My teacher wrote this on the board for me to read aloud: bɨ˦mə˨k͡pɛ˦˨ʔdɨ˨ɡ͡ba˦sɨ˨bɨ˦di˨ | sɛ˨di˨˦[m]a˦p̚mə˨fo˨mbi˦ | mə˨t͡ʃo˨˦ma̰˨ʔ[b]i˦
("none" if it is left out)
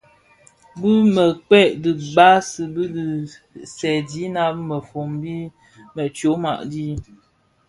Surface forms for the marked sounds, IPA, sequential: n, d

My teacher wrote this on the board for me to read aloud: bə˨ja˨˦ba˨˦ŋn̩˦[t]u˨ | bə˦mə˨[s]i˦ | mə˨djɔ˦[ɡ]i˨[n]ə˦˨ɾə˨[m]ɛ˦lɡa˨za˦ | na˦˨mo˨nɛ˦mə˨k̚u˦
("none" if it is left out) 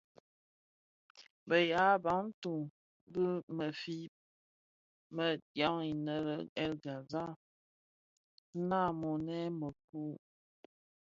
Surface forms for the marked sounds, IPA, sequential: t, f, ŋ, n, none

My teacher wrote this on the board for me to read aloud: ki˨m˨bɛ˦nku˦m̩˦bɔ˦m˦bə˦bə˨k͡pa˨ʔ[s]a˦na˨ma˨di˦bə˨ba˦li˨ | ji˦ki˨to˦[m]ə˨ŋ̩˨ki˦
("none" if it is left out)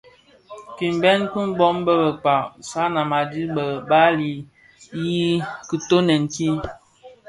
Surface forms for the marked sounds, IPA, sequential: s, n

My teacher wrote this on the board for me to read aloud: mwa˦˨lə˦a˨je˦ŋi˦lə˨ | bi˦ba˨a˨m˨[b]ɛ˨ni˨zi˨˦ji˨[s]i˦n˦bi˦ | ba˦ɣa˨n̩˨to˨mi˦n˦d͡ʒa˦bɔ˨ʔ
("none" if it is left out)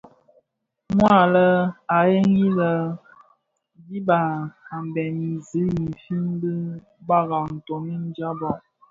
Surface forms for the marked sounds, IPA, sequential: b, f

